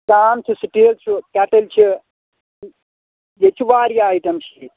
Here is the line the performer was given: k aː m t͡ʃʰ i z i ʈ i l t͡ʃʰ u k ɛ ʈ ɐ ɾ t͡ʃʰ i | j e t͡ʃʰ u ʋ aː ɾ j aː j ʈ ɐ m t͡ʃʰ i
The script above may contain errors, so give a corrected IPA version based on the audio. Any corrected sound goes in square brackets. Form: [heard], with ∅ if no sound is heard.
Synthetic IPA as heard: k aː m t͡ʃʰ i [s] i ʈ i l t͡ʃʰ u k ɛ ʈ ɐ [l] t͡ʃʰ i | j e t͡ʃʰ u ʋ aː ɾ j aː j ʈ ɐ m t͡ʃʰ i